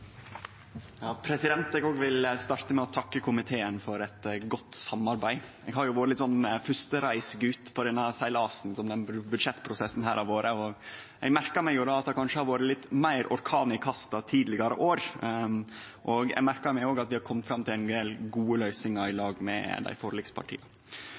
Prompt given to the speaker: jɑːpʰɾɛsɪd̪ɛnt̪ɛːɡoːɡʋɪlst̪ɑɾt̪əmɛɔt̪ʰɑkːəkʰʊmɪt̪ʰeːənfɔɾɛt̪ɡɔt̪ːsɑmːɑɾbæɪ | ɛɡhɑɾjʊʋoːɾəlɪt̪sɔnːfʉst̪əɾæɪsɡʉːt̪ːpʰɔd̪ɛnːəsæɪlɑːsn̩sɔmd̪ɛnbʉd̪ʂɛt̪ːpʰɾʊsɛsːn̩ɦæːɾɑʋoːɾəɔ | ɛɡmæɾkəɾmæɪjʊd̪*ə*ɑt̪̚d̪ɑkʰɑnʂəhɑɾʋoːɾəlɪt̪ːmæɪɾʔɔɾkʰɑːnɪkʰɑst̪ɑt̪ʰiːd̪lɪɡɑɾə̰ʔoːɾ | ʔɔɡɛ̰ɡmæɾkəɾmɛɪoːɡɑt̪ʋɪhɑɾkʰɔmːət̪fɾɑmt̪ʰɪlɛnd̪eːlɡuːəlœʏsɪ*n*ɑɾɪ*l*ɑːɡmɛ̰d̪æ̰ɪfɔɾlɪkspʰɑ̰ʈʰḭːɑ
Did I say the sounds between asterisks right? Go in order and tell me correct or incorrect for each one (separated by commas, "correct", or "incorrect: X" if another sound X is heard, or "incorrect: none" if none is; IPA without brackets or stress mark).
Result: incorrect: ɑ, incorrect: ŋ, correct